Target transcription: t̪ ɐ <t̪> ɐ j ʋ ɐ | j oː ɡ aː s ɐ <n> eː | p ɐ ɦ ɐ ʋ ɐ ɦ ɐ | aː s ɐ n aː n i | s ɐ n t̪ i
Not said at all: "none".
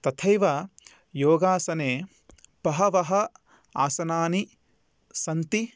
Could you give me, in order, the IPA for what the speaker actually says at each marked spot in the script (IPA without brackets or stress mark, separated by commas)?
t̪ʰ, n